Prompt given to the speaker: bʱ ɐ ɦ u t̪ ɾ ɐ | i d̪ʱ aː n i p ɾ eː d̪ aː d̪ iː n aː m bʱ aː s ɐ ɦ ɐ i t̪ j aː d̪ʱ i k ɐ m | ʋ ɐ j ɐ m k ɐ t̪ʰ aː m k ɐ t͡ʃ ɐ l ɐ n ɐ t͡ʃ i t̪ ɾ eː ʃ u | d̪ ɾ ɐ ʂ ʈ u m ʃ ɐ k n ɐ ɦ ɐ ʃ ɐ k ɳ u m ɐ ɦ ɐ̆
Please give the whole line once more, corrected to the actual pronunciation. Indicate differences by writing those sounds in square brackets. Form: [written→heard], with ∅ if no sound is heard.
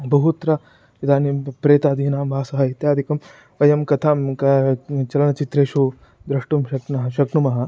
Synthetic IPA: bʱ ɐ ɦ u t̪ ɾ ɐ | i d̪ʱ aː n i p ɾ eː [d̪→t̪] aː d̪ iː n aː m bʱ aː s ɐ ɦ ɐ i t̪ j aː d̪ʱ i k ɐ m | ʋ ɐ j ɐ m k ɐ t̪ʰ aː m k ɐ t͡ʃ ɐ l ɐ n ɐ t͡ʃ i t̪ ɾ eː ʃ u | d̪ ɾ ɐ ʂ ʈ u m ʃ ɐ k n ɐ ɦ ɐ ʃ ɐ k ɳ u m ɐ ɦ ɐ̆